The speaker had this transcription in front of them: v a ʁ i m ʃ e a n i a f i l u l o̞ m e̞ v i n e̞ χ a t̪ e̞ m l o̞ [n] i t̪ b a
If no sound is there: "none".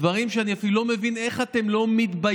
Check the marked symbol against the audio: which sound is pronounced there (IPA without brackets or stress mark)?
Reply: m